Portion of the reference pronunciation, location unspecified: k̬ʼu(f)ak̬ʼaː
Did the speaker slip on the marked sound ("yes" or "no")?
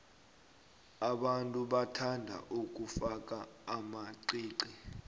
no